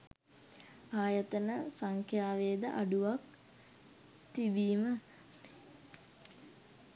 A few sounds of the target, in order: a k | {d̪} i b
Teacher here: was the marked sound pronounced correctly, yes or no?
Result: no